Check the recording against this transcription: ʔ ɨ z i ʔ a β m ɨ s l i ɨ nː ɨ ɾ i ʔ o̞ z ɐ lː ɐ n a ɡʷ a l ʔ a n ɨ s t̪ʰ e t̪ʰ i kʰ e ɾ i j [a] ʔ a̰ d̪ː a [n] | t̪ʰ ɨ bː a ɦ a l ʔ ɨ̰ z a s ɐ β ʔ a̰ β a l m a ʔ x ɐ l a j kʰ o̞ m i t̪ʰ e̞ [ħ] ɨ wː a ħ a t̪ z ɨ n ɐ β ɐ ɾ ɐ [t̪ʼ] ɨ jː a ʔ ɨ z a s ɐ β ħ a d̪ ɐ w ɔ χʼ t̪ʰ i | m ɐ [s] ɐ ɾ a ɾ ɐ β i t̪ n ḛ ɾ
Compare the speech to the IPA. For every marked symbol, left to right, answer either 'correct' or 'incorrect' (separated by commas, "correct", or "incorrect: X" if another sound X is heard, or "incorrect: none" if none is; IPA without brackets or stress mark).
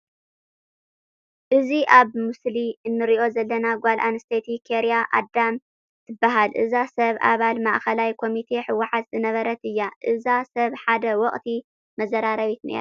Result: correct, incorrect: m, correct, incorrect: t̪, incorrect: z